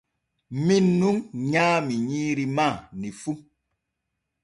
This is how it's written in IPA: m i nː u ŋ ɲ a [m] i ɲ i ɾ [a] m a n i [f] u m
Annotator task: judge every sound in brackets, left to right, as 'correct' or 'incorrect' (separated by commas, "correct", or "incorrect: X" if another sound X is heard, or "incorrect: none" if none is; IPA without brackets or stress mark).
correct, incorrect: i, correct